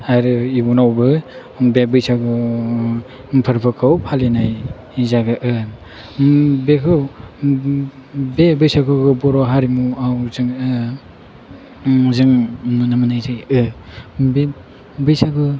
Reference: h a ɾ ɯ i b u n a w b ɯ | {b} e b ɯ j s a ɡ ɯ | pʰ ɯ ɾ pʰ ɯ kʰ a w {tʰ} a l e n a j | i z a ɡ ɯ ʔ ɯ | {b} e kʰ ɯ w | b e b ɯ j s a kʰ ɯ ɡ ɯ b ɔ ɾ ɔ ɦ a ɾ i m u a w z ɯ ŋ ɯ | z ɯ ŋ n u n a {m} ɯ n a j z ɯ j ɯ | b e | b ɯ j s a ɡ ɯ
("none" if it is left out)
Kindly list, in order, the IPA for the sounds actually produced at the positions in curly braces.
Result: b, pʰ, b, m

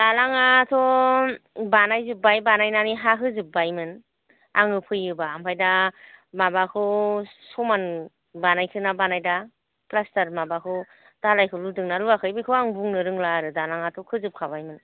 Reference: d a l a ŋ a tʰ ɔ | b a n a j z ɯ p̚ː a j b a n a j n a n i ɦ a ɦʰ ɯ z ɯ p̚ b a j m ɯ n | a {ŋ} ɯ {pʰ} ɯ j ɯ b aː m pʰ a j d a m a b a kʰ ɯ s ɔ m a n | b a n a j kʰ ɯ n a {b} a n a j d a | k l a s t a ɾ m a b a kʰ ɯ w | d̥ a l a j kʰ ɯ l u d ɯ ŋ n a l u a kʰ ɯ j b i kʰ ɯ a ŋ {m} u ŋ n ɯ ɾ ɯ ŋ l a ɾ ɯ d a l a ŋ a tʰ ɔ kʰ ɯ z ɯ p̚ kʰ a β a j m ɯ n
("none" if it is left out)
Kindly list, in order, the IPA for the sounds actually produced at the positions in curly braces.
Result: ŋ, pʰ, b, b

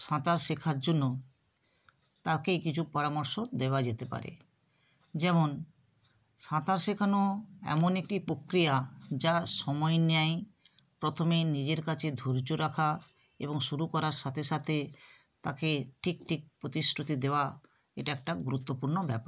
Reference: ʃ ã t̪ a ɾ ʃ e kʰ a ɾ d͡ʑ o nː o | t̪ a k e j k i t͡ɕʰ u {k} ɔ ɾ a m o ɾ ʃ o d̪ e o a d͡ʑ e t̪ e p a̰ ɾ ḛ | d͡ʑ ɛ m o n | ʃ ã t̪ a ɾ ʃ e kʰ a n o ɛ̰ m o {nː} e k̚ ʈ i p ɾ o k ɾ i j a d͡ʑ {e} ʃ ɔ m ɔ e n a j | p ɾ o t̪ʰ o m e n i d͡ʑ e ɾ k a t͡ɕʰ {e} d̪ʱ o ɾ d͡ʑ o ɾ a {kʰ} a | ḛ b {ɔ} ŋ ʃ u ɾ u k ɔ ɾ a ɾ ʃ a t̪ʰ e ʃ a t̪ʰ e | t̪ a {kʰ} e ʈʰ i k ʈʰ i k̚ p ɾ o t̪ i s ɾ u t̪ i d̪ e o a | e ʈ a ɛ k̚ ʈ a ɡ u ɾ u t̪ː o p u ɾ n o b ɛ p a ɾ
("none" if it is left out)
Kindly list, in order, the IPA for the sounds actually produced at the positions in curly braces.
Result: p, n, a, e, kʰ, o, k

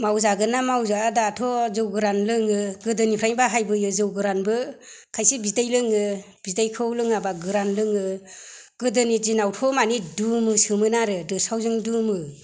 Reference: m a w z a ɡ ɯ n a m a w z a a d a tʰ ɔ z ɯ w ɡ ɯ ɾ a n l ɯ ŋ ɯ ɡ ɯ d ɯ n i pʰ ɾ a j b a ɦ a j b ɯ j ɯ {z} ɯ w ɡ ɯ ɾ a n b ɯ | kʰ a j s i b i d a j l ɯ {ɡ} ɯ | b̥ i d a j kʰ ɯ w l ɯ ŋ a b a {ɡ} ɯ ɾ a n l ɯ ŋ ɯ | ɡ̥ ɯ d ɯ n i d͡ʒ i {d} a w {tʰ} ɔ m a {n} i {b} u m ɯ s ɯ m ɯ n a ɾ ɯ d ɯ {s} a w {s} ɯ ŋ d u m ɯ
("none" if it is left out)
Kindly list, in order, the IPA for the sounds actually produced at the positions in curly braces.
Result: z, ŋ, ɡ, n, tʰ, n, d, s, z

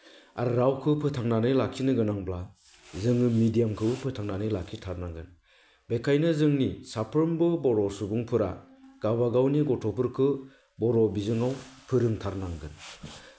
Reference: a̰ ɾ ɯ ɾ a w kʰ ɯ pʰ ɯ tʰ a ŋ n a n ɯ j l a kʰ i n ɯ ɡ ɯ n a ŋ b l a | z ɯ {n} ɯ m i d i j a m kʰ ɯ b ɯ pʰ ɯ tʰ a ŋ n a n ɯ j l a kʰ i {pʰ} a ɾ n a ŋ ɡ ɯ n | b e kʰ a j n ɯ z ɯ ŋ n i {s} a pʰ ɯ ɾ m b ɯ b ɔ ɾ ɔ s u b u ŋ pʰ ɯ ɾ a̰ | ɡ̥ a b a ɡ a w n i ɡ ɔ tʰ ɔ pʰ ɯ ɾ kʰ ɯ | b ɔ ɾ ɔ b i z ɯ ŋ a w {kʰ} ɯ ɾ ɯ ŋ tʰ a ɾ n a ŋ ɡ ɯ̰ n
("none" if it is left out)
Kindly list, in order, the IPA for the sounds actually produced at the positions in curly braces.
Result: ŋ, tʰ, s, pʰ

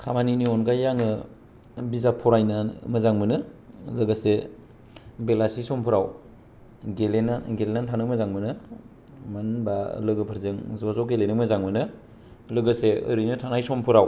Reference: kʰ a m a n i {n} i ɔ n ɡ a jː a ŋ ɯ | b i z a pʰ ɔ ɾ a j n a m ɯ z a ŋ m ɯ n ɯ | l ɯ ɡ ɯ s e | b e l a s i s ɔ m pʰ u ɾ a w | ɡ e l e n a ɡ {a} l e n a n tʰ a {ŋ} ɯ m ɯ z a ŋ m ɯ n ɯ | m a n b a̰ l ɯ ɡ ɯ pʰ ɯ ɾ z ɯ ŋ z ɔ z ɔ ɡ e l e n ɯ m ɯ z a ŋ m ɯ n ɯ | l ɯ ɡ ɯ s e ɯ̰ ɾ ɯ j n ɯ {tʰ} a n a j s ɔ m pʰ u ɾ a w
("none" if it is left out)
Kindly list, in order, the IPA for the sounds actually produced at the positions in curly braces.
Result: n, e, n, tʰ

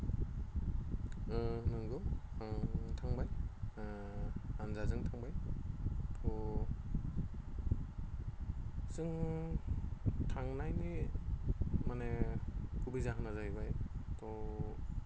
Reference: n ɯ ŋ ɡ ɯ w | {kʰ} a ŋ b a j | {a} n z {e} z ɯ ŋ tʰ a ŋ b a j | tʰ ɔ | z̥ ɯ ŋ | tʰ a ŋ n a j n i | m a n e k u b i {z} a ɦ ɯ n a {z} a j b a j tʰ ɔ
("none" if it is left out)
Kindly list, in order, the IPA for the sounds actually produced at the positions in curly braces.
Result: tʰ, a, a, z, z

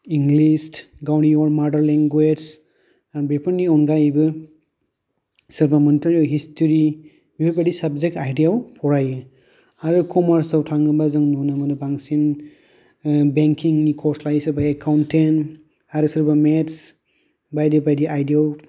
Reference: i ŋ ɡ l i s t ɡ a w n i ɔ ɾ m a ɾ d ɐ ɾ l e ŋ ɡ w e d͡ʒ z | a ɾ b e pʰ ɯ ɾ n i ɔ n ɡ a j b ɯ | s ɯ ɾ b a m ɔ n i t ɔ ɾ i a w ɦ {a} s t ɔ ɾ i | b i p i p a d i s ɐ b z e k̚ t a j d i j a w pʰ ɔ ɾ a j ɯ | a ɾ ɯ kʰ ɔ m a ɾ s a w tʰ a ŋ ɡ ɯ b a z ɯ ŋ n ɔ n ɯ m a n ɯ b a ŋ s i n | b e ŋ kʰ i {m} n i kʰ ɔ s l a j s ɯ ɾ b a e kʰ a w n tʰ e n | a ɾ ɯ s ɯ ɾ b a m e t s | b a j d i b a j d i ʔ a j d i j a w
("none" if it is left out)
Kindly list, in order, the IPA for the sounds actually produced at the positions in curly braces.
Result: i, ŋ

